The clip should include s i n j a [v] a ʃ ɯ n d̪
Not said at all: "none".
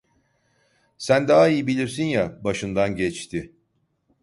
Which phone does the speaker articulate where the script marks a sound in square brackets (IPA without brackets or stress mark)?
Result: b